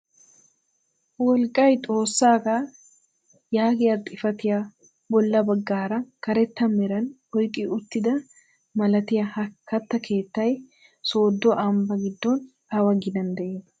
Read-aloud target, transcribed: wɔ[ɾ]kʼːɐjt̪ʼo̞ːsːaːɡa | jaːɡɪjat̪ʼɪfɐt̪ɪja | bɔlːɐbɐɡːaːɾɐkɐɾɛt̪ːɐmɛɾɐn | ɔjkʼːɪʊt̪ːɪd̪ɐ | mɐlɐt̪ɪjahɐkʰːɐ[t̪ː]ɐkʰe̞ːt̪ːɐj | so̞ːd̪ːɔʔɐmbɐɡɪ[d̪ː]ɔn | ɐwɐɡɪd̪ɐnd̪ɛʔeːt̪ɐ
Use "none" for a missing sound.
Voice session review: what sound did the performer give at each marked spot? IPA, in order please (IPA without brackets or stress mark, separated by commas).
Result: l, t̪ː, d̪ː